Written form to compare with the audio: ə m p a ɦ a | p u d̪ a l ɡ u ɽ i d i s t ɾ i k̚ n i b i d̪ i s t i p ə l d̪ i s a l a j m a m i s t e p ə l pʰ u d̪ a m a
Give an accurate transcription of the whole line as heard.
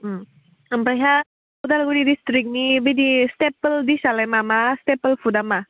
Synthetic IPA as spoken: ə m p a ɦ a | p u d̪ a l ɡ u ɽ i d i s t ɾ i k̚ n i b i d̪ i s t e p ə l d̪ i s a l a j m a m a s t e p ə l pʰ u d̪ a m a